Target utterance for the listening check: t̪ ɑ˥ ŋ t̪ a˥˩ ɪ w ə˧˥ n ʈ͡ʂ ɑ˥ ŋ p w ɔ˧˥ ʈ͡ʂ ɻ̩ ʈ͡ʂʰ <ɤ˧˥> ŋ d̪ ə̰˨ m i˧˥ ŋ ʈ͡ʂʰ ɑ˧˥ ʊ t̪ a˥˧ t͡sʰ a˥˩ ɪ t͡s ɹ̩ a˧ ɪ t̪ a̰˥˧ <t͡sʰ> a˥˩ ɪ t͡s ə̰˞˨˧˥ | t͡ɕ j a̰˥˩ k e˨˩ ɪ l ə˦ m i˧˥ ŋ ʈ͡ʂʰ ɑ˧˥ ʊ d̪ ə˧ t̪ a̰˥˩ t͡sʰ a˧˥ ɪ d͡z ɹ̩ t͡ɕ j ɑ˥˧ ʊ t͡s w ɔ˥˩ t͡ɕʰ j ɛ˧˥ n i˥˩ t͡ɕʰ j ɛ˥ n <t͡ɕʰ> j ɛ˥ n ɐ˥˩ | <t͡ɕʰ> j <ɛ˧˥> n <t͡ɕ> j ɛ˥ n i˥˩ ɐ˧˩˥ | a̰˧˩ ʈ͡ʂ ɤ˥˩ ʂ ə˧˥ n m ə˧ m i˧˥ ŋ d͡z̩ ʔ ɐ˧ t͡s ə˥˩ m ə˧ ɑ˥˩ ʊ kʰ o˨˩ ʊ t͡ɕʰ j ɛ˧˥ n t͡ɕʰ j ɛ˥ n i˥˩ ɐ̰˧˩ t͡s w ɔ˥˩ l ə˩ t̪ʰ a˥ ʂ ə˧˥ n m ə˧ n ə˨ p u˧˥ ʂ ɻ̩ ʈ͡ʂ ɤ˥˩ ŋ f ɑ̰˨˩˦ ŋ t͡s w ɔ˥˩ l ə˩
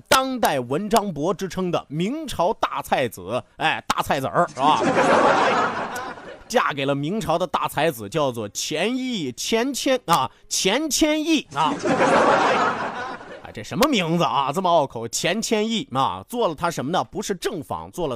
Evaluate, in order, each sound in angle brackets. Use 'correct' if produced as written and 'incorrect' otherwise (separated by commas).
incorrect, correct, correct, correct, correct, incorrect